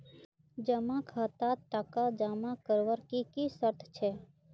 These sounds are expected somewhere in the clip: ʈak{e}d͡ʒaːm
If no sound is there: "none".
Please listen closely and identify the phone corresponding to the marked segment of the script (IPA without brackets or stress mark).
a